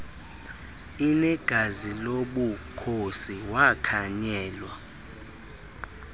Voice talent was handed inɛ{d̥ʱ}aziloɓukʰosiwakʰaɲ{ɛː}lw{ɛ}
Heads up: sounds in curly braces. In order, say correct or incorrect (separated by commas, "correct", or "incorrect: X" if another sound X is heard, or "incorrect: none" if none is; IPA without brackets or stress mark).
incorrect: ɡ̥ʱ, correct, incorrect: a